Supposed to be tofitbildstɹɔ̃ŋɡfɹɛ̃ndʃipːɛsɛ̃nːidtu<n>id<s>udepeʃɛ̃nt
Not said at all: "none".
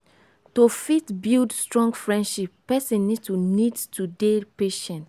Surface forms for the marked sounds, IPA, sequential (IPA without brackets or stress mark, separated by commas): n, t